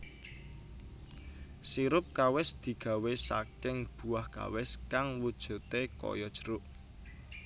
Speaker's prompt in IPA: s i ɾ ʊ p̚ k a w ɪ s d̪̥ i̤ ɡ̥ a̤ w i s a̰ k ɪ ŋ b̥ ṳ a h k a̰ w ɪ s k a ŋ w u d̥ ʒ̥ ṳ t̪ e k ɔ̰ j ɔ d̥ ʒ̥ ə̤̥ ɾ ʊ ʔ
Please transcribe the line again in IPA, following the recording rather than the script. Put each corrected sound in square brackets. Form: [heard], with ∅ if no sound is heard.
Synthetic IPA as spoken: s i ɾ ʊ p̚ k a w ɪ s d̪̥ i̤ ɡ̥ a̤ w [e] s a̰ k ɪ ŋ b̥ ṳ a h k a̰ w ɪ s k a ŋ w u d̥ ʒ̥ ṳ t̪ e k ɔ̰ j ɔ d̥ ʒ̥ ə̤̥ ɾ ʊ ʔ